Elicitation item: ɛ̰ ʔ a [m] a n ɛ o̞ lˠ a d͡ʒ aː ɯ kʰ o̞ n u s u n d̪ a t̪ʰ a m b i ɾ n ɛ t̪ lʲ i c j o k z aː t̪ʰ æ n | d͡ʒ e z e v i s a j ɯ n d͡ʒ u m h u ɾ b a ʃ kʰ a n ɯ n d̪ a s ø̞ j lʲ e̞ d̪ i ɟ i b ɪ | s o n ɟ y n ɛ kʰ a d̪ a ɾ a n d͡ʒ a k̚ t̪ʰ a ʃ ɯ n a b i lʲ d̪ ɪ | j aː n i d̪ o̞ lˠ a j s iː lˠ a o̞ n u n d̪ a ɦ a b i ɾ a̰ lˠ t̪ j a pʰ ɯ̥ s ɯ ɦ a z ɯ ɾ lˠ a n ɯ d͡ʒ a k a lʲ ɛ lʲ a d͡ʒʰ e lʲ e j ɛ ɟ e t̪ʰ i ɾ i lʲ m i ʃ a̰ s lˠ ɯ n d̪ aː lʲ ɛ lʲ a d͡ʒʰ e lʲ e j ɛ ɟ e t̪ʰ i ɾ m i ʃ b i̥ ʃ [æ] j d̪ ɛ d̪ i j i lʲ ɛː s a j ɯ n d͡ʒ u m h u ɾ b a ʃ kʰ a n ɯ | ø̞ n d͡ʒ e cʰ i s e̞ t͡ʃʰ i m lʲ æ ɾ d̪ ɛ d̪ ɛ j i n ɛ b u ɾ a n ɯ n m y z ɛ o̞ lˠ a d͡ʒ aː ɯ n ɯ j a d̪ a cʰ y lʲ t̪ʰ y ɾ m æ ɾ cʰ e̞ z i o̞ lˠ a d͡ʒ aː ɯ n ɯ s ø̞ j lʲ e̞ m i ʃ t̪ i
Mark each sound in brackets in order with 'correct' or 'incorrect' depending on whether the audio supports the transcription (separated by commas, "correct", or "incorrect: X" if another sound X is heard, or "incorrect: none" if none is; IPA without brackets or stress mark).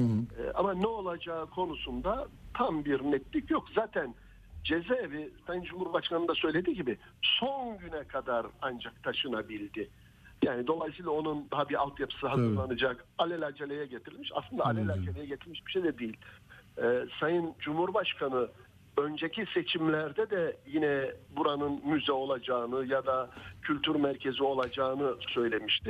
correct, incorrect: e